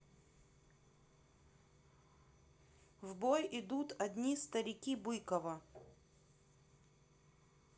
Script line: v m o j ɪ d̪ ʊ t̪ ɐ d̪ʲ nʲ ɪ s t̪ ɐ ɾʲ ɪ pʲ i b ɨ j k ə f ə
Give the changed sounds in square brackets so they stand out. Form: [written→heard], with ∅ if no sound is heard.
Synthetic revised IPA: v [m→b] o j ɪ d̪ [ʊ→u] t̪ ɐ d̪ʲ nʲ [ɪ→i] s t̪ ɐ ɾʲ ɪ [pʲ→kʲ] i b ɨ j k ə [f→v] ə